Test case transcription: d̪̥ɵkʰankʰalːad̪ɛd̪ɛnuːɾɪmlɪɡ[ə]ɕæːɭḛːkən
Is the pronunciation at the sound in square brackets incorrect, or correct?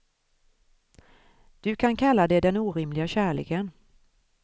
incorrect